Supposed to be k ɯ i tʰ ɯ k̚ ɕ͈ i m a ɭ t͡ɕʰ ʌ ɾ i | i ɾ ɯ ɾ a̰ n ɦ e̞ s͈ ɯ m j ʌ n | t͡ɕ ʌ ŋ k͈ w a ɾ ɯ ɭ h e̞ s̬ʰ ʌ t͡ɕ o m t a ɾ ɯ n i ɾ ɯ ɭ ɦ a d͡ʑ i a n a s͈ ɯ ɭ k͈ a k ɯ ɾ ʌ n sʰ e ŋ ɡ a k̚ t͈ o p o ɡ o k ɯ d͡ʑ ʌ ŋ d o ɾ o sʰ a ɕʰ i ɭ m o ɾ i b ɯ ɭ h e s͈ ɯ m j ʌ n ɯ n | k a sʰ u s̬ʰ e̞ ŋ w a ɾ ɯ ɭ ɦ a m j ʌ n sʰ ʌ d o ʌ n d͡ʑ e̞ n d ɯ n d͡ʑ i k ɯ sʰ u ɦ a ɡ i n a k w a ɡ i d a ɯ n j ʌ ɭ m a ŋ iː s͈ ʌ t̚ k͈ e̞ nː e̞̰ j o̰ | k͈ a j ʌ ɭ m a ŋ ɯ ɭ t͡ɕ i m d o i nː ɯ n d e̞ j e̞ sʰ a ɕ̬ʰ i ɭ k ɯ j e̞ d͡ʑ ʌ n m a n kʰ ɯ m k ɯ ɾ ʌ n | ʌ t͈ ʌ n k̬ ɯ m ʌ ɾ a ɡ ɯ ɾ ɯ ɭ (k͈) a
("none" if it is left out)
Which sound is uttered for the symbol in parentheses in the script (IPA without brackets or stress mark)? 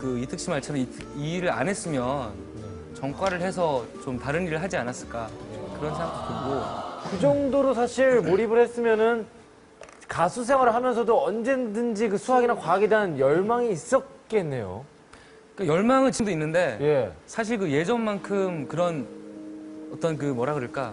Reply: k͈